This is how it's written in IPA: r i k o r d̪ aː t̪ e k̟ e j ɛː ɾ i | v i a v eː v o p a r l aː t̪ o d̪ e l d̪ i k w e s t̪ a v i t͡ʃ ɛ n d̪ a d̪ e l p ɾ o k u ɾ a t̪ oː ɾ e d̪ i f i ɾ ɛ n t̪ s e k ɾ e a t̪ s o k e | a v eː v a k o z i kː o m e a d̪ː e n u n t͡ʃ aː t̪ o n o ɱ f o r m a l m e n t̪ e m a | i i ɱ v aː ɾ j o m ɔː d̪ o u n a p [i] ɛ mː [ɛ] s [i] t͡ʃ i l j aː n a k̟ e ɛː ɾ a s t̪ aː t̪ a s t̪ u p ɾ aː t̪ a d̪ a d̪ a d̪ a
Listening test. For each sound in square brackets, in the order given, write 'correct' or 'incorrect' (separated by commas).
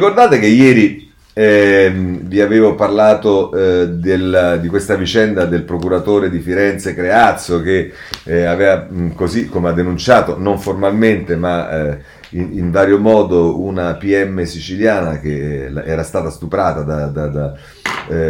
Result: correct, incorrect, correct